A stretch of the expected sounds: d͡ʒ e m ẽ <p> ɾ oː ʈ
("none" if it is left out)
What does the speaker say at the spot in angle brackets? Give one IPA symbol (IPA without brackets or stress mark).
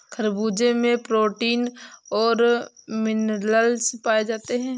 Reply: p